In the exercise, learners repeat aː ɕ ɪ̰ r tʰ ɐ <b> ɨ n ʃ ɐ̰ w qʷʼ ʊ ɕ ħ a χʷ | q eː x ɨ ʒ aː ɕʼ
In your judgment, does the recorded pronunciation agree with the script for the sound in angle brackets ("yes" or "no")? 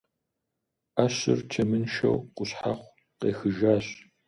no